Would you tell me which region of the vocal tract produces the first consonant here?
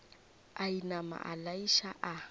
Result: tongue tip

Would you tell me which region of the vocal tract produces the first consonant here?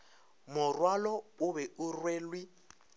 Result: lips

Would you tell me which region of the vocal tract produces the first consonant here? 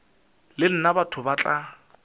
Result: tongue tip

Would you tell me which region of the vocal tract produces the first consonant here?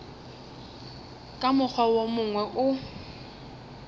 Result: velum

